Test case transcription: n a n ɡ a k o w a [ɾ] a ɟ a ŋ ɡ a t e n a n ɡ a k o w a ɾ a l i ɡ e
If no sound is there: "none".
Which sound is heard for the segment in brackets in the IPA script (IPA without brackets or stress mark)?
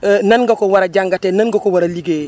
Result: ɾ